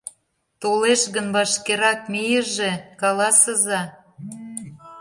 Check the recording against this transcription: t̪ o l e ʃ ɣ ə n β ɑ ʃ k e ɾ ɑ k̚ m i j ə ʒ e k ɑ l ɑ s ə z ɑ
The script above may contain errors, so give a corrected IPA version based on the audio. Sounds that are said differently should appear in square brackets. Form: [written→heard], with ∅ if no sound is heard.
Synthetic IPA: t̪ o l e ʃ ɣ ə n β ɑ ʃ k e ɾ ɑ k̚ m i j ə ʒ e k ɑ l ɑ s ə z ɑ